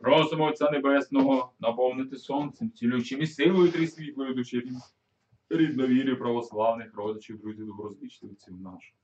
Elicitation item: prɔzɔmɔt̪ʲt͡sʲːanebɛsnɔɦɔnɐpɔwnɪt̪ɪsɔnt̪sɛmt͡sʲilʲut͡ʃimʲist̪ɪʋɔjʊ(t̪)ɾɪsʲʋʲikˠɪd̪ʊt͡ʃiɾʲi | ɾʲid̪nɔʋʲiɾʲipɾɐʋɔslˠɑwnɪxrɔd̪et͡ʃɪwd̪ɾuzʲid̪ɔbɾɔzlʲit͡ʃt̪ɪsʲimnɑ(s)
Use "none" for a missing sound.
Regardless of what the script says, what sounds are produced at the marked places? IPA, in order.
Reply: t̪, ʃ

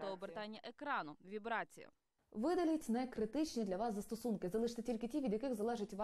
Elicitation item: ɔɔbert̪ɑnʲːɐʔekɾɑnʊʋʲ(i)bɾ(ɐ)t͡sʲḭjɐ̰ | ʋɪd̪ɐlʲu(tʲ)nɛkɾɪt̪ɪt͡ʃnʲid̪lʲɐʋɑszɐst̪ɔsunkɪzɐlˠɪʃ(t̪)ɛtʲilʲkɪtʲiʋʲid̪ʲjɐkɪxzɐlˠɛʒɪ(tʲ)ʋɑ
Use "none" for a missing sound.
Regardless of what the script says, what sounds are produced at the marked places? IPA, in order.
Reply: i, ɑ, tʲ, t̪, tʲ

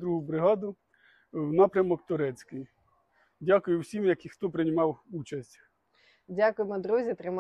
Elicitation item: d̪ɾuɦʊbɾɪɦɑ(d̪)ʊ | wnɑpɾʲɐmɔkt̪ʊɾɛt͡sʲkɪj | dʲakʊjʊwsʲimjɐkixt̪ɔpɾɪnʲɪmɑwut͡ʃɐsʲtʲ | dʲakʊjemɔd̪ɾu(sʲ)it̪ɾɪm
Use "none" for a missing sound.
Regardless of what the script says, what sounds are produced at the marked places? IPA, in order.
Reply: d̪, zʲ

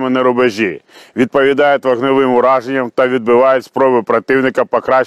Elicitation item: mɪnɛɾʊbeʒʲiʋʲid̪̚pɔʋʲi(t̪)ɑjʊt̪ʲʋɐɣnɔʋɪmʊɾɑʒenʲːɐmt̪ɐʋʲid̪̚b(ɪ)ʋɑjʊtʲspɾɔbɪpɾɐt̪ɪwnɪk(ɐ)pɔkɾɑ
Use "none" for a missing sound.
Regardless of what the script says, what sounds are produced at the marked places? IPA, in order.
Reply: d̪, ɪ, ɐ

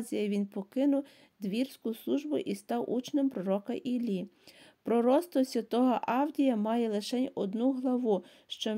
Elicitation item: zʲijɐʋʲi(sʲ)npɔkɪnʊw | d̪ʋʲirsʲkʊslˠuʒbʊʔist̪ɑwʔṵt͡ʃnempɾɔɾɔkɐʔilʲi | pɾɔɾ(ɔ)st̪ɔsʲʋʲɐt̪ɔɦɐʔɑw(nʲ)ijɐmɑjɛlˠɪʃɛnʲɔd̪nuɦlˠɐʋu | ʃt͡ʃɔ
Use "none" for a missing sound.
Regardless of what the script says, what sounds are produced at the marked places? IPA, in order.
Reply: none, ɔ, dʲ

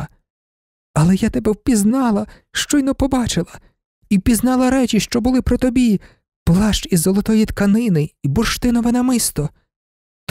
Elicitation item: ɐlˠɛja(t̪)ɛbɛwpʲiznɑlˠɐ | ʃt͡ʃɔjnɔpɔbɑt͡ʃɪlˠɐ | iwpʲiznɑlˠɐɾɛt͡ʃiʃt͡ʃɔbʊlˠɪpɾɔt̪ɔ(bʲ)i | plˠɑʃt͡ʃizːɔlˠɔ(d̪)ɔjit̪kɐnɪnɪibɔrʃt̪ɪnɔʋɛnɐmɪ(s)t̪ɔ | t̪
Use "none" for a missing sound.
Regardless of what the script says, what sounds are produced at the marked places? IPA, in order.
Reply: t̪, bʲ, t̪, s

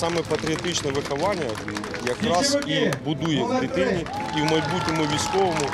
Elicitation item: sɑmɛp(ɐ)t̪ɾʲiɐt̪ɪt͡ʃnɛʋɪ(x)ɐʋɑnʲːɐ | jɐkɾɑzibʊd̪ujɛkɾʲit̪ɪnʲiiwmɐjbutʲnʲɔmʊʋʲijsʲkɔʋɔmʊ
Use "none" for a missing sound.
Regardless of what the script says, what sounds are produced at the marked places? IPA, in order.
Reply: ɐ, x

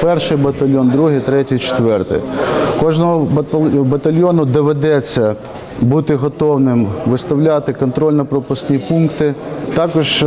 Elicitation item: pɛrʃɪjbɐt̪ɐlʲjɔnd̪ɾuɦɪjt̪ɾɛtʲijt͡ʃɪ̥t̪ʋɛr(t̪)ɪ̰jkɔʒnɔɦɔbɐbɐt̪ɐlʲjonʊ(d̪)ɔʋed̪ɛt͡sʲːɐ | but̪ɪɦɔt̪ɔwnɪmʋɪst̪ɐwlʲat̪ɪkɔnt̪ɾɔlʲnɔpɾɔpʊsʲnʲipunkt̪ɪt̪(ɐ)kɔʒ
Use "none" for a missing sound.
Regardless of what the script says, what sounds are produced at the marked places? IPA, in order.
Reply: t̪, d̪, ɑ

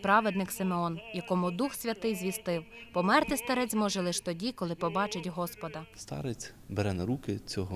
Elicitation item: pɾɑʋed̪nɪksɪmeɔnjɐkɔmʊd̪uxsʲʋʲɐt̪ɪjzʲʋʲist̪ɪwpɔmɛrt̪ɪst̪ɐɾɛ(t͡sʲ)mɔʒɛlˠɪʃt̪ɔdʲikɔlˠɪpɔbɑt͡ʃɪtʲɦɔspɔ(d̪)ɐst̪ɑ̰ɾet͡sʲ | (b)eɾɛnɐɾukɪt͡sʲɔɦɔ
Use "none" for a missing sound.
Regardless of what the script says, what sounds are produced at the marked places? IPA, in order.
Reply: t͡sʲ, d̪, b

